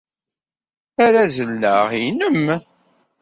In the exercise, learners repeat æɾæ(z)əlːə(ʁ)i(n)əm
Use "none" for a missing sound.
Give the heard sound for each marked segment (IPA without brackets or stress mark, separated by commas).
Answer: z, ʁ, n